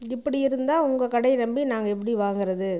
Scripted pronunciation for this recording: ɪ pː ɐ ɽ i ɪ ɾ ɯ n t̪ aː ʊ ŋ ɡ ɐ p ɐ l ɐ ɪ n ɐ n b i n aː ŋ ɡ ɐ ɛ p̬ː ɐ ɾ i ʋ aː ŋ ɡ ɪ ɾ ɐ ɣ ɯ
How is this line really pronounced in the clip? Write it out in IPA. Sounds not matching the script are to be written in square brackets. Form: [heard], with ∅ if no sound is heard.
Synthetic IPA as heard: ɪ pː ɐ ɽ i ɪ ɾ ɯ n [d̪] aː ʊ ŋ ɡ ɐ [k] ɐ [ɽ] ɐ ɪ n ɐ [m] b i n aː ŋ ɡ ɐ ɛ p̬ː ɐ [ɽ] i ʋ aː ŋ ɡ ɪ ɾ ɐ [ð] ɯ